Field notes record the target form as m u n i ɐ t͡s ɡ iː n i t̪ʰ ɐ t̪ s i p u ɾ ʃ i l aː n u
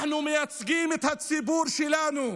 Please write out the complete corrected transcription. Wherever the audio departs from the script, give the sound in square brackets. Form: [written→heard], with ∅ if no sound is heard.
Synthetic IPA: [m→n] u [n→m] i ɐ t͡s ɡ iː [n→m] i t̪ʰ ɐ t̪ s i [p→b] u ɾ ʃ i l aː n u